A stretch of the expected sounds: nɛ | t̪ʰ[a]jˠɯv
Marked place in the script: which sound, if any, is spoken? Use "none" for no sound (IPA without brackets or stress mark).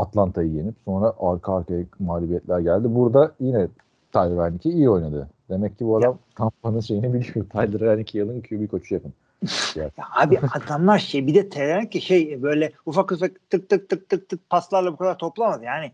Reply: a